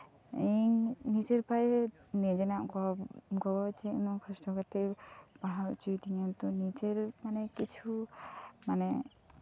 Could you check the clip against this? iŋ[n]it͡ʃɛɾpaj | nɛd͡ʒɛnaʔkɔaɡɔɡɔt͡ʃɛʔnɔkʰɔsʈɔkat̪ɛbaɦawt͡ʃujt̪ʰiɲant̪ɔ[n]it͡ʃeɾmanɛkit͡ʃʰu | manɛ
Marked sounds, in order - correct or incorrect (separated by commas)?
correct, correct